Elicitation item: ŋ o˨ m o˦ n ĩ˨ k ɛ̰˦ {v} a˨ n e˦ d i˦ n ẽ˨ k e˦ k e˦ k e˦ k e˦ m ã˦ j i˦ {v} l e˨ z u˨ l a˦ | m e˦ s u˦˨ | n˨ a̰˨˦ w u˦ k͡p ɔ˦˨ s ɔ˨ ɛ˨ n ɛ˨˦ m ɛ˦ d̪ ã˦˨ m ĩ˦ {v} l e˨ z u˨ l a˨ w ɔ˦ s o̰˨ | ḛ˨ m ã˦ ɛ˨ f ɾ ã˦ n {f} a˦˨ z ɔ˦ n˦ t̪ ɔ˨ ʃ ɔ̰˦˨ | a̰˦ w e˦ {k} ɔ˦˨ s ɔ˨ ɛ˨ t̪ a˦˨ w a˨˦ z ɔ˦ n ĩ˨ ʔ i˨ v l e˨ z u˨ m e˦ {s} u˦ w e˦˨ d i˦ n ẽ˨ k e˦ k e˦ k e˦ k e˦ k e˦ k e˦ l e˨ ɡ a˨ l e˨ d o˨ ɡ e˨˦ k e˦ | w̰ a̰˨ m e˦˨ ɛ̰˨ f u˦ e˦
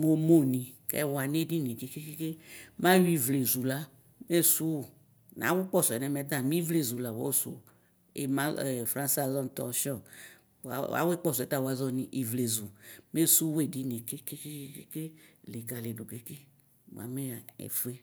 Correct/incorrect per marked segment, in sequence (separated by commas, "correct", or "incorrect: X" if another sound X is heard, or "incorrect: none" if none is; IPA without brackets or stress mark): incorrect: w, correct, correct, incorrect: s, incorrect: k͡p, correct